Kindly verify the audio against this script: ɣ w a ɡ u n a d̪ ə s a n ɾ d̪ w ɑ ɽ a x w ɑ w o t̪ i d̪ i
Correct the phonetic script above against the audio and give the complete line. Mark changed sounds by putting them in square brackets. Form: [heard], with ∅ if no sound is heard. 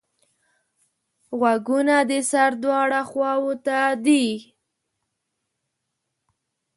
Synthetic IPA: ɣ w a ɡ u n a d̪ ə s a [∅] ɾ d̪ w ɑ ɽ a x w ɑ w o t̪ [a] d̪ i